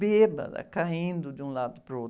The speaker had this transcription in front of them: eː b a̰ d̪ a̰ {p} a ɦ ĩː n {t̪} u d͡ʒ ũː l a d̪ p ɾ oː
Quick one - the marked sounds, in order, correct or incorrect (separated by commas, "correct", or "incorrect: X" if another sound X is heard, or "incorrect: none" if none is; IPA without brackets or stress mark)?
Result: incorrect: k, incorrect: d̪